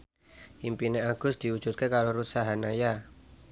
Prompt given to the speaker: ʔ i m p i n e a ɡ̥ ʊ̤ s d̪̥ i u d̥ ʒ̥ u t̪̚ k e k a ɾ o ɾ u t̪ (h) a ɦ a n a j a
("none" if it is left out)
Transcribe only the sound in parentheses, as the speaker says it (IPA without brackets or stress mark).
s